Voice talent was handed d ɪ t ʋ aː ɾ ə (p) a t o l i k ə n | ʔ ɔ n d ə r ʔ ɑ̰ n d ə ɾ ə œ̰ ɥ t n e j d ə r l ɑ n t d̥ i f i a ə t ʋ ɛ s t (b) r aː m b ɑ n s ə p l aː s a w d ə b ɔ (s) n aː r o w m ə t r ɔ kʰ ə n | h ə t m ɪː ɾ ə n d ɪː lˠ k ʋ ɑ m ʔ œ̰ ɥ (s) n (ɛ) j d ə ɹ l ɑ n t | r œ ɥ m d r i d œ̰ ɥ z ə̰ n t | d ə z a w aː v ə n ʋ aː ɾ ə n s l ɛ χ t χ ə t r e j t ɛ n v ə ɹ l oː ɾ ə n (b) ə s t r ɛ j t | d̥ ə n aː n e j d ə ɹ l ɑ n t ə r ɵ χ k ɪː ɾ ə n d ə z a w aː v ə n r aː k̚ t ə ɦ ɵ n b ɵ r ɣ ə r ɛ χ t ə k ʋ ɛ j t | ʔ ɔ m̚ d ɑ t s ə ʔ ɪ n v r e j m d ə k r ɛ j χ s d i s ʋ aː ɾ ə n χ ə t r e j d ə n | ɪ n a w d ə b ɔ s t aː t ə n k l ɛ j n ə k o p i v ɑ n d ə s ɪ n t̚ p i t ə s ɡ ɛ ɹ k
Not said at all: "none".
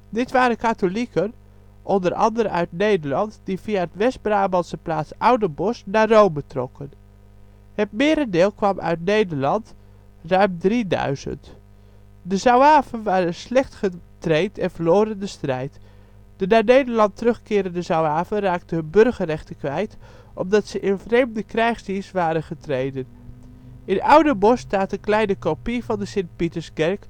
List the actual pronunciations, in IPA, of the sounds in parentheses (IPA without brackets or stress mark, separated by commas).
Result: k, b, s, t, e, d